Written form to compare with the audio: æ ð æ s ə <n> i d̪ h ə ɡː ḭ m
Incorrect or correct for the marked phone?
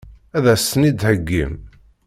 correct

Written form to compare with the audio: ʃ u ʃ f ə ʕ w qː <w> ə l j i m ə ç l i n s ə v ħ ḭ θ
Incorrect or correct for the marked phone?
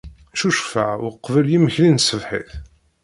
incorrect: v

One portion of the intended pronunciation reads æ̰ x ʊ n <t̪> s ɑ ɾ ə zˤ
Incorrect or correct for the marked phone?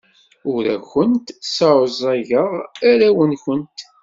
correct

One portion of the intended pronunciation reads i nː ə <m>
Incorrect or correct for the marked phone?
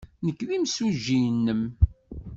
correct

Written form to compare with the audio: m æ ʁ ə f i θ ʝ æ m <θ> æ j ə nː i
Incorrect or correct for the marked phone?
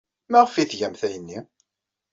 correct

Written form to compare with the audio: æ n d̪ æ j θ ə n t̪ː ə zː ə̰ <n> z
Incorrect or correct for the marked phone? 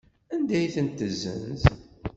correct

